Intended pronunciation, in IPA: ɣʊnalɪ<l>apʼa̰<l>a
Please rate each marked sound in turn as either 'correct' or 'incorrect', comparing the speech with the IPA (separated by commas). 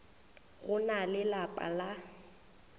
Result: correct, correct